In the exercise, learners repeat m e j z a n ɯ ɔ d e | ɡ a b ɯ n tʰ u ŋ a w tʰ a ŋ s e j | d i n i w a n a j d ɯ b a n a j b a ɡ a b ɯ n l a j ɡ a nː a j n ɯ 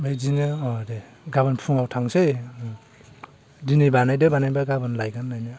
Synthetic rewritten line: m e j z i n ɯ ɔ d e | ɡ a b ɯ n pʰ u ŋ a w tʰ a ŋ s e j | d i n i b a n a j d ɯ b a n a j b a ɡ a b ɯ n l a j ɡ a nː a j n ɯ